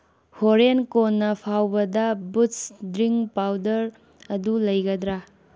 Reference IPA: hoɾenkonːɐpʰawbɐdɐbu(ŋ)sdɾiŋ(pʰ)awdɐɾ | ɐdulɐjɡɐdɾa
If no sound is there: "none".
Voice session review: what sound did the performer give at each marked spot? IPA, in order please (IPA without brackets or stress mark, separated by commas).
none, p